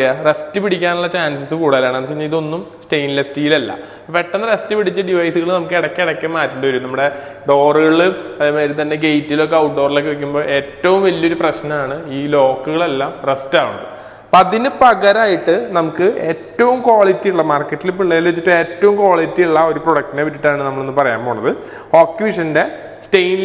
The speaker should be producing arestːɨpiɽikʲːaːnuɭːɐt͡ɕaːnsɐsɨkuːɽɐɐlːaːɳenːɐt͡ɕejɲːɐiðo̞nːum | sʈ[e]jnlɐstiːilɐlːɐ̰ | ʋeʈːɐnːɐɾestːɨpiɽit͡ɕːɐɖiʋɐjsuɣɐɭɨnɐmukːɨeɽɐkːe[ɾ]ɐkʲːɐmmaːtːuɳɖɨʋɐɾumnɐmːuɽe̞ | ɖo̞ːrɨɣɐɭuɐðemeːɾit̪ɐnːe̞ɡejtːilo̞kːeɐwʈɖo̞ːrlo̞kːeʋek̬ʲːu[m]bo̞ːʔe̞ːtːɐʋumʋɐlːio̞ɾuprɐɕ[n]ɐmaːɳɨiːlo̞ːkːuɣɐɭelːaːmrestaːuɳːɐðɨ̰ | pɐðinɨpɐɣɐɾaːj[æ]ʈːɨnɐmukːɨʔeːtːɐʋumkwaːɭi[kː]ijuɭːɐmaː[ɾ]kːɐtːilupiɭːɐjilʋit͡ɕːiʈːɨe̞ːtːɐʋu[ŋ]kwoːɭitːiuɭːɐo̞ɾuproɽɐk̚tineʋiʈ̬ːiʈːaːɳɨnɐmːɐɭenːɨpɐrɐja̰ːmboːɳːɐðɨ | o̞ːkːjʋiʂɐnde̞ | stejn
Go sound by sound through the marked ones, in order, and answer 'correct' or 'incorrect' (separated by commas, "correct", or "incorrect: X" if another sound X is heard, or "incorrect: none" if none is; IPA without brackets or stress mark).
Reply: correct, incorrect: ɽ, correct, correct, incorrect: i, incorrect: tː, incorrect: r, incorrect: m